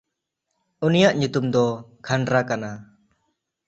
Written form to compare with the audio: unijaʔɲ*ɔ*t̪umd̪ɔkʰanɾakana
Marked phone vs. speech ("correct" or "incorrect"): incorrect